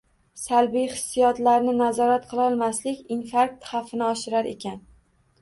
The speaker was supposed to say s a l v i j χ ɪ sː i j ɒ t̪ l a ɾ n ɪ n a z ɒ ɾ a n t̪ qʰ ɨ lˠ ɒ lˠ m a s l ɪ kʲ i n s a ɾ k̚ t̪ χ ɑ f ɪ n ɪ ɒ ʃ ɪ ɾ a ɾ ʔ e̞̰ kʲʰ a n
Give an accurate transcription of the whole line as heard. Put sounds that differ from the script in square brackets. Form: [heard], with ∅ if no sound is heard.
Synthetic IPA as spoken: s a l [b] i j χ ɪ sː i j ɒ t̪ l a ɾ n ɪ n a z ɒ ɾ a [∅] t̪ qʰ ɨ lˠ ɒ lˠ m a s l ɪ kʲ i n [f] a ɾ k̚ t̪ χ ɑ f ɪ n ɪ ɒ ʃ ɪ ɾ a ɾ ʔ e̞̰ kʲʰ a n